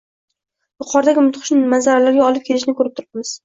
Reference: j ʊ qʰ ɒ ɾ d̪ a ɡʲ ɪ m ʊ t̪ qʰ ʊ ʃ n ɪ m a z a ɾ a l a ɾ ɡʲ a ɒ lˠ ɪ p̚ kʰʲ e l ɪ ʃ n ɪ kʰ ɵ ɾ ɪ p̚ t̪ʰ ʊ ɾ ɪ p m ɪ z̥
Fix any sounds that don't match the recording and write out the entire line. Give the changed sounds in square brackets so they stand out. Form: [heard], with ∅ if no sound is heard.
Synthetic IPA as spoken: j ʊ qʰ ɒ ɾ d̪ a ɡʲ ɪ m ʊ t̪ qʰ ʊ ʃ n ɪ m a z a ɾ a l a ɾ ɡʲ a ɒ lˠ ɪ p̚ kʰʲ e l ɪ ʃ n ɪ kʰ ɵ ɾ ɪ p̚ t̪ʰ ʊ ɾ ɪ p m ɪ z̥